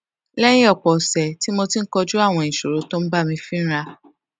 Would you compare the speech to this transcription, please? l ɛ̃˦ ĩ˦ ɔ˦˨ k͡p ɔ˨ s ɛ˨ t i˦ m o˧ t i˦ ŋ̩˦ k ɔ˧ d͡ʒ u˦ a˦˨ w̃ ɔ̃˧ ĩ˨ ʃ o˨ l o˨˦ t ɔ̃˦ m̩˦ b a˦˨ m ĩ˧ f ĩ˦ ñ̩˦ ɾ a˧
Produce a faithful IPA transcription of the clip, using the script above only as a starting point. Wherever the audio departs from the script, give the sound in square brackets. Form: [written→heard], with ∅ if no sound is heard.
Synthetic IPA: l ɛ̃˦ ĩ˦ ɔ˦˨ k͡p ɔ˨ s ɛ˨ t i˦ m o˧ t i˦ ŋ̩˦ k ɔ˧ d͡ʒ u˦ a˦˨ w̃ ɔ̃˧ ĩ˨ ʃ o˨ [l→ɾ] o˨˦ t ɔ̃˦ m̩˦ b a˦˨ m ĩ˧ f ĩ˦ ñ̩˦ ɾ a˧